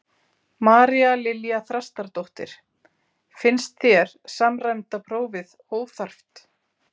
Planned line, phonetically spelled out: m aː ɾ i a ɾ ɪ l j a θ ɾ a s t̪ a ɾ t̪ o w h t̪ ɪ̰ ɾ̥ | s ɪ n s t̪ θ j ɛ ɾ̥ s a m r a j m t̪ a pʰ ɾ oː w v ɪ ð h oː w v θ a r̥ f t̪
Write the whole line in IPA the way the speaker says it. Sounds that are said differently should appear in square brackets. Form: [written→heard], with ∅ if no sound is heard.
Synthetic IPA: m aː ɾ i a [ɾ→l] ɪ l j a θ ɾ a s t̪ a ɾ t̪ o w h t̪ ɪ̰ ɾ̥ | [s→f] ɪ n s t̪ θ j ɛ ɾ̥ s a m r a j m t̪ a pʰ ɾ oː w v ɪ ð h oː w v θ a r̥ f t̪